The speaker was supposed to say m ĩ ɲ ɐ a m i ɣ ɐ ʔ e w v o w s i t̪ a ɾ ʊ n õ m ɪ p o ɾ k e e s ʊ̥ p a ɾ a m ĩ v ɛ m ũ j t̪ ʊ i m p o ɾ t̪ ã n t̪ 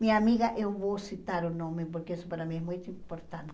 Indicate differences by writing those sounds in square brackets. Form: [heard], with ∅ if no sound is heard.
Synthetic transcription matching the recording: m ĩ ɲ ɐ a m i ɣ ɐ ʔ e w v o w s i t̪ a ɾ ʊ n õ m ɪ p o ɾ k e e s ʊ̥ p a ɾ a m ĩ [∅] ɛ m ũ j t̪ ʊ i m p o ɾ t̪ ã n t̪